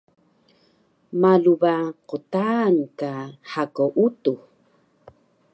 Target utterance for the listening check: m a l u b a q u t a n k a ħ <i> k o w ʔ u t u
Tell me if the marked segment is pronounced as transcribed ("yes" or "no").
no